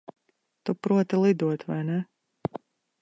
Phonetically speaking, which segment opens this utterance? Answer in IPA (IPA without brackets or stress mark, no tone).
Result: t̪